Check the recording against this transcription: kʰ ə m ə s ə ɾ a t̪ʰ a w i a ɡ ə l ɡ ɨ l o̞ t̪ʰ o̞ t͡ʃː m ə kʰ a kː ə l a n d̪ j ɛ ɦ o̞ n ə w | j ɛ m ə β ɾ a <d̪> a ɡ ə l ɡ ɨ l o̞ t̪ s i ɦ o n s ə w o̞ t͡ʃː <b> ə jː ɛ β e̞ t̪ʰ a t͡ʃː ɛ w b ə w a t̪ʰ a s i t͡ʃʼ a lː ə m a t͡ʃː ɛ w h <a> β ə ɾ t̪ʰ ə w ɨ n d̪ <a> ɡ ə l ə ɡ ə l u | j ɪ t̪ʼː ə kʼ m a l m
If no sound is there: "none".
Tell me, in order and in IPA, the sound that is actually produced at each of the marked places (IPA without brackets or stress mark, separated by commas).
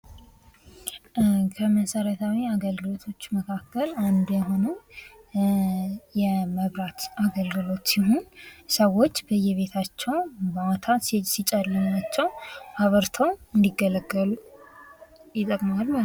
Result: t̪, b, a, i